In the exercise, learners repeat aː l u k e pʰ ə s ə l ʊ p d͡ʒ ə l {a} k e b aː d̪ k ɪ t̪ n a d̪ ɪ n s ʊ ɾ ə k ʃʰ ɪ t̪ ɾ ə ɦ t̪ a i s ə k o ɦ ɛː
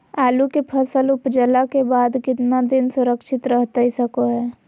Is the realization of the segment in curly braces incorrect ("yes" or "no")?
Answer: no